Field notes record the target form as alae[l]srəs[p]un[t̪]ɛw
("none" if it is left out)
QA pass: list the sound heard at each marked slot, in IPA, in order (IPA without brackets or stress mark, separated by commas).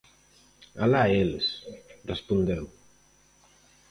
l, p, d̪